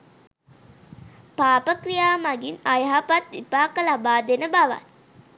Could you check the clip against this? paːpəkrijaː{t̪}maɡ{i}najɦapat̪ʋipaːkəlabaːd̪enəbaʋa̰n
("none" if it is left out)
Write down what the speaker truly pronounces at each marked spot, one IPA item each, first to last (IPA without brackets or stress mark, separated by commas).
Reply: none, i